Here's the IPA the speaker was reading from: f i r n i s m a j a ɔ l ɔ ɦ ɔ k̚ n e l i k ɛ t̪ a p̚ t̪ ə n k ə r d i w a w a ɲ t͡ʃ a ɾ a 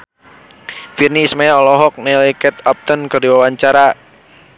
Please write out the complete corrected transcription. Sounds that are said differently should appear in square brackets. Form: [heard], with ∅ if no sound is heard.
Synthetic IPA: f i r n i s m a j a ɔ l ɔ ɦ ɔ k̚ n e l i k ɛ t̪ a p̚ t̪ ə n k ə r d i w a w a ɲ t͡ʃ a ɾ a